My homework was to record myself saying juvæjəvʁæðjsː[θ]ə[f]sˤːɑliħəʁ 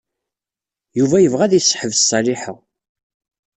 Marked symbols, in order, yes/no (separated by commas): no, no